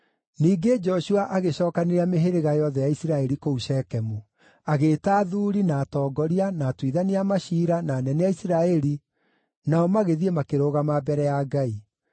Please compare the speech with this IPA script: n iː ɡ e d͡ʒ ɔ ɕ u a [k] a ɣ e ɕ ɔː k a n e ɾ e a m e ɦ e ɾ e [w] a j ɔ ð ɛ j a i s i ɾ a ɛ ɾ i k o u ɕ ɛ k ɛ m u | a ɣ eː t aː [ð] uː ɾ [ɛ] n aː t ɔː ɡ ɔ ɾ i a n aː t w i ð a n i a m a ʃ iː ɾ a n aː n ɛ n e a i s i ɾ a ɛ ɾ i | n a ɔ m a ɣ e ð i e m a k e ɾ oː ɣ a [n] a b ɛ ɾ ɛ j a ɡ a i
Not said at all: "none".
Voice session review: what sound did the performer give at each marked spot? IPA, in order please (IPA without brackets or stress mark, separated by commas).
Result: ʔ, ɣ, ð, i, m